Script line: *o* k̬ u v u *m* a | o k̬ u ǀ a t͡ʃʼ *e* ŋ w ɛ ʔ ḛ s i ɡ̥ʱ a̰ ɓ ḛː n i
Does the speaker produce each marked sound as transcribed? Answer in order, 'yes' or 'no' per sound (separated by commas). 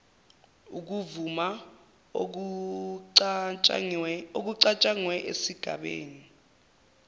no, yes, no